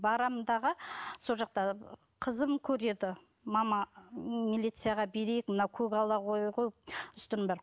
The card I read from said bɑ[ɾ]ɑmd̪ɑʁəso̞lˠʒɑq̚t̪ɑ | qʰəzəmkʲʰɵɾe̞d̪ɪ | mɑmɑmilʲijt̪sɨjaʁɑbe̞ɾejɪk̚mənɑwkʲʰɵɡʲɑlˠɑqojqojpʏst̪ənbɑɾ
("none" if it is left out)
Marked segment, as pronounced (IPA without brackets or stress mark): ɾ